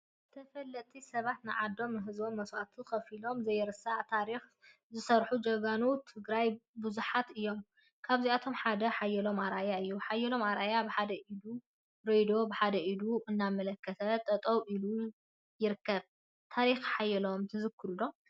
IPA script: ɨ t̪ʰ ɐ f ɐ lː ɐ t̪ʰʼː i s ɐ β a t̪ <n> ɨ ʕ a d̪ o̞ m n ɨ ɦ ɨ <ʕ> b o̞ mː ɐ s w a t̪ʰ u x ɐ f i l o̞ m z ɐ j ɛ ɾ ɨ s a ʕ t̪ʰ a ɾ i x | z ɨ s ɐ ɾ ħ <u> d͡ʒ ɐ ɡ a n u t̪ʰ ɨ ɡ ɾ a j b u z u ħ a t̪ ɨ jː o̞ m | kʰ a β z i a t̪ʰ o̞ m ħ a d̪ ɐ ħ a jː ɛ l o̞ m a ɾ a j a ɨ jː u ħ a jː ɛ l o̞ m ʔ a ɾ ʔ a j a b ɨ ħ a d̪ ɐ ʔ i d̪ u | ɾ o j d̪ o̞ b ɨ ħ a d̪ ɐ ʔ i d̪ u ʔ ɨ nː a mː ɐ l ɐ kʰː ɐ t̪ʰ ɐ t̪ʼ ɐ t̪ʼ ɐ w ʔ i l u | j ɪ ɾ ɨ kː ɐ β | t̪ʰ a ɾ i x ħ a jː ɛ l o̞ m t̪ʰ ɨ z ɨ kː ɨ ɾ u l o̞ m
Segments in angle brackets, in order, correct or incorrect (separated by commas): correct, incorrect, correct